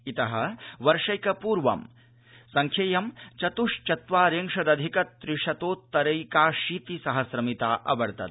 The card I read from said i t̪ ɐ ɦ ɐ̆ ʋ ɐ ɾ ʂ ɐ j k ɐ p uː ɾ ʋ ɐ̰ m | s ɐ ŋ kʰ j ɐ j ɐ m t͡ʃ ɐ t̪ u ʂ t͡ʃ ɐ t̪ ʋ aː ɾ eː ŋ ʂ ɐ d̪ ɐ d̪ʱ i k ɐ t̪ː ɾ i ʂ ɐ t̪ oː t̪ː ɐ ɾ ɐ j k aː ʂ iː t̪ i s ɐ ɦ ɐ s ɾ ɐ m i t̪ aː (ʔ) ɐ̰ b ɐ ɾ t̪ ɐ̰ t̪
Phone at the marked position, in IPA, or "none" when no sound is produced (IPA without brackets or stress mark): ʔ